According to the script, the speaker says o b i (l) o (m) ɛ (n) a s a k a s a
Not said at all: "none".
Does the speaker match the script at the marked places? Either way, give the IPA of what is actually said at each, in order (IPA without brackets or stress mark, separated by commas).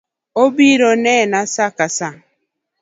ɾ, n, n